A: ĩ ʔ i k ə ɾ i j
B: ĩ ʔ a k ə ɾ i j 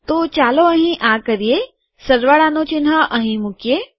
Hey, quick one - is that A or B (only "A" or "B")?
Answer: B